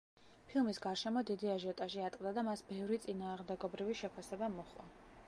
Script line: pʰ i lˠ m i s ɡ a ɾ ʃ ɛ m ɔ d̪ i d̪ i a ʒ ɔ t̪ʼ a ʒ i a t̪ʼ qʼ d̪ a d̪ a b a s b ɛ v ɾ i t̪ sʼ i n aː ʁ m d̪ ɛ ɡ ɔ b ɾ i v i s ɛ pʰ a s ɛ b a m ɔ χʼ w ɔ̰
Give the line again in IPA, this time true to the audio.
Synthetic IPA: pʰ i lˠ m i s ɡ a ɾ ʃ ɛ m ɔ d̪ i d̪ i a ʒ ɔ t̪ʼ a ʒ i a t̪ʼ qʼ d̪ a d̪ a m a s b ɛ v ɾ i t̪ sʼ i n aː ʁ m d̪ ɛ ɡ ɔ b ɾ i v i ʃ ɛ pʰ a s ɛ b a m ɔ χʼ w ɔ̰